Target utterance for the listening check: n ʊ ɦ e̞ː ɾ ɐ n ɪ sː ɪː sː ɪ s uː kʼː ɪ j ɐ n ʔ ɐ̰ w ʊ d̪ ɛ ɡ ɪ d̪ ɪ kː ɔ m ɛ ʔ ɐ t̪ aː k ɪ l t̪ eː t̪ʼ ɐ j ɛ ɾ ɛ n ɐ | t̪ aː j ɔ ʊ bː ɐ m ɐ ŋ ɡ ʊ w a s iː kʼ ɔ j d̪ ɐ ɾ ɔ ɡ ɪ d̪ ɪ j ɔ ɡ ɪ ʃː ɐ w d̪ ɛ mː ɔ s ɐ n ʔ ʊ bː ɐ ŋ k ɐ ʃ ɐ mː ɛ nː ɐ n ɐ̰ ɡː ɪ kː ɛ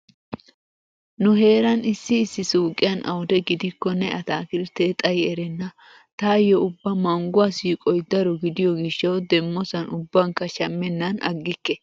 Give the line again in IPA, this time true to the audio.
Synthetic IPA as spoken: n ʊ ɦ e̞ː ɾ ɐ n ɪ sː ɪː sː ɪ s uː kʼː ɪ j ɐ n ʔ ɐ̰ w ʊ d̪ ɛ ɡ ɪ d̪ ɪ kː ɔ n ɛ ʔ ɐ t̪ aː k ɪ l t̪ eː t̪ʼ ɐ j ɛ ɾ ɛ nː ɐ | t̪ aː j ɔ ʊ bː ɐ m ɐ ŋ ɡ ʊ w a s iː kʼ ɔ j d̪ ɐ ɾ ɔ ɡ ɪ d̪ ɪ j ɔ ɡ ɪ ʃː ɐ w d̪ ɛ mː ɔ s ɐ n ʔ ʊ bː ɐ ŋ k ɐ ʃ ɐ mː ɛ nː ɐ n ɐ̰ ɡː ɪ kː ɛ

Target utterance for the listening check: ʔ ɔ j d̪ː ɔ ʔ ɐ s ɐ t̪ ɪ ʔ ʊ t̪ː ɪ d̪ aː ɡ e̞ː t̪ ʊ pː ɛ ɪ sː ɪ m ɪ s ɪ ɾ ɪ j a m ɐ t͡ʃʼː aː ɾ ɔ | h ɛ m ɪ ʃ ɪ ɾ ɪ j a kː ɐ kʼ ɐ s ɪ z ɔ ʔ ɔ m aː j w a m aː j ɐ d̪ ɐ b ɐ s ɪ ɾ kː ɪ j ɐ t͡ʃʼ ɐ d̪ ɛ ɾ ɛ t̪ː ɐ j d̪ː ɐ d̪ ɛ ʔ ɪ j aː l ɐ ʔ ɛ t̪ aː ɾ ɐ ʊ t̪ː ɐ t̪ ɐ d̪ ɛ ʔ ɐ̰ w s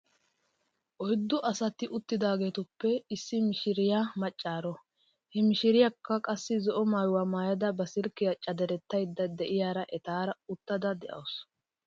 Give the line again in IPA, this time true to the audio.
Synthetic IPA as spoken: ʔ ɔ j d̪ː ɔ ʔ ɐ s ɐ t̪ ɪ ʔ ʊ t̪ː ɪ d̪ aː ɡ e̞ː t̪ ʊ pː ɛ ɪ sː ɪ m ɪ ʃ ɪ ɾ ɪ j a m ɐ t͡ʃʼː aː ɾ ɔ | h ɛ m ɪ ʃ ɪ ɾ ɪ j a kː ɐ kʼ ɐ sː ɪ z ɔ ʔ ɔ m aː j w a m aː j ɐ d̪ ɐ b ɐ s ɪ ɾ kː ɪ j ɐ t͡ʃʼ ɐ d̪ ɛ ɾ ɛ t̪ː ɐ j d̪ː ɐ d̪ ɛ ʔ ɪ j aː ɾ ɐ ʔ ɛ t̪ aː ɾ ɐ ʊ t̪ː ɐ d̪ ɐ d̪ ɛ ʔ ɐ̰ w s

